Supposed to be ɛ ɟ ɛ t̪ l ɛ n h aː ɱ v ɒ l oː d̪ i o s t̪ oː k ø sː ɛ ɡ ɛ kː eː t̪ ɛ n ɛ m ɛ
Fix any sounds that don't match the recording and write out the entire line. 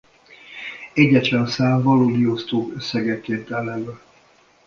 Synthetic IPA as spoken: ɛ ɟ ɛ t̪ l ɛ n s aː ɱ v ɒ l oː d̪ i o s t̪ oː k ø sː ɛ ɡ ɛ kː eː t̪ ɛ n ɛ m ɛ